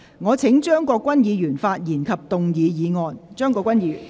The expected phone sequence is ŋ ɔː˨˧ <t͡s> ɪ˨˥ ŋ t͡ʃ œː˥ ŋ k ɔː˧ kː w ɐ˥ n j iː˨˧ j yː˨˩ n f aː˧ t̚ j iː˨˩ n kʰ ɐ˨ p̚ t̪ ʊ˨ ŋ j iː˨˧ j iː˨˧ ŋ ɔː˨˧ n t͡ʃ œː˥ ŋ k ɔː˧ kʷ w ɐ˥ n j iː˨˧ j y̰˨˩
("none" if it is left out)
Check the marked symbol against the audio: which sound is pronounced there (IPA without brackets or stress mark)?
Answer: t͡sʰ